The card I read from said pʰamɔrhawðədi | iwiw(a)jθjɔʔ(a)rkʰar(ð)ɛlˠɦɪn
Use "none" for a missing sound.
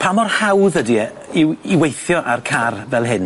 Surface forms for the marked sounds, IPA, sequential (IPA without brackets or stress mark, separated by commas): e, a, v